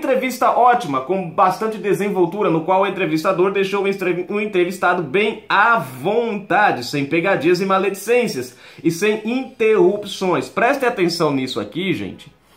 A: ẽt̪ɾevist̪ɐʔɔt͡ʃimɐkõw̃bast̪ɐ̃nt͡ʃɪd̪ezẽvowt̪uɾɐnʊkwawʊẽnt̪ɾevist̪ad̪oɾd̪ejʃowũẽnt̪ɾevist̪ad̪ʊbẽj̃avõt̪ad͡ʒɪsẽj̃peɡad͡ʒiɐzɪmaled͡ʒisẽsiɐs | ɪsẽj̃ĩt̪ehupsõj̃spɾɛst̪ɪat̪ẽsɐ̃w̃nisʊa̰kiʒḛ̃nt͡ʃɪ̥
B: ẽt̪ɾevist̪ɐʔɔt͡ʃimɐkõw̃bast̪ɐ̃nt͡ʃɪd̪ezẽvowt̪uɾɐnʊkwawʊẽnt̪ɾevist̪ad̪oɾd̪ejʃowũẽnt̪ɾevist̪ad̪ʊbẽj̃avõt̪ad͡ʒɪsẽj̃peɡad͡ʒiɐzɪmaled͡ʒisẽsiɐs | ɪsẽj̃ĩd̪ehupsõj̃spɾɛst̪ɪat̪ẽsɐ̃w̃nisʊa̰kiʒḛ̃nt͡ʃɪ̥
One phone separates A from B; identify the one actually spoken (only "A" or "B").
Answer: A